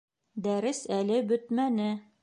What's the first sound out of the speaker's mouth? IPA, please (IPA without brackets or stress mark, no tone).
d̪